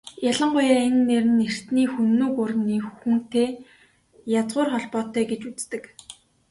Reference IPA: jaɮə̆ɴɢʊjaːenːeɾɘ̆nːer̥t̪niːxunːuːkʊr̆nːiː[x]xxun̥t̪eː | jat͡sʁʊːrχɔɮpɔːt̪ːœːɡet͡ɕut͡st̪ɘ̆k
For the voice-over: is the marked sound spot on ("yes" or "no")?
yes